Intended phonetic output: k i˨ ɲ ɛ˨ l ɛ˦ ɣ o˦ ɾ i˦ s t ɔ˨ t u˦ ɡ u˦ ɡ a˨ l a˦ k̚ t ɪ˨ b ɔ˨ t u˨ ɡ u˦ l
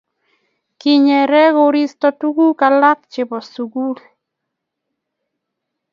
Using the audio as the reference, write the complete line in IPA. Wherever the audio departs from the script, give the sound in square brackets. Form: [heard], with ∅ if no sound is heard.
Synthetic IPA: k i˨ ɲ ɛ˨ [ɾ] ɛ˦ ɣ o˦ ɾ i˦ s t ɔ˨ t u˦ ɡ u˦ [k] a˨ l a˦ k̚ [t͡ʃ] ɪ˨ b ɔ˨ [s] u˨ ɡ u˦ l